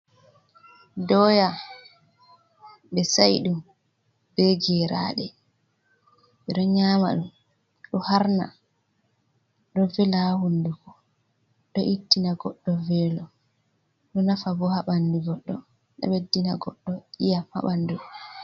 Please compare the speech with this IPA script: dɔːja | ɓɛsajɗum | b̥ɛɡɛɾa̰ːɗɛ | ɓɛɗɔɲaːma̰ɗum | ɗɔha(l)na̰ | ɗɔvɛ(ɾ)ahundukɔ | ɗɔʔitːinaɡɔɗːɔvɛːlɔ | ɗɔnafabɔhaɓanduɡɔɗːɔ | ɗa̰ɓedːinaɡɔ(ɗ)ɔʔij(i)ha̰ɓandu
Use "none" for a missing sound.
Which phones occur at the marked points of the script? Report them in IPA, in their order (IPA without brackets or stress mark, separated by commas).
ɾ, l, ɗː, a